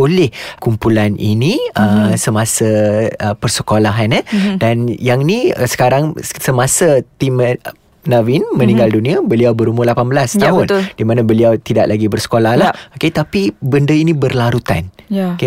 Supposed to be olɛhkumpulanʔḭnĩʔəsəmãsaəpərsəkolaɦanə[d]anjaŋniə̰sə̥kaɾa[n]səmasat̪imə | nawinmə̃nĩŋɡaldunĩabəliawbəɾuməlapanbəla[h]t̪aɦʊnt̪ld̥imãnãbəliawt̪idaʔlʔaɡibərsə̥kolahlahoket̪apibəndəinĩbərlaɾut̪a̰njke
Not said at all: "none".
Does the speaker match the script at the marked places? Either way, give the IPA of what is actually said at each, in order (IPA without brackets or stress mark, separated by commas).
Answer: d, ŋ, s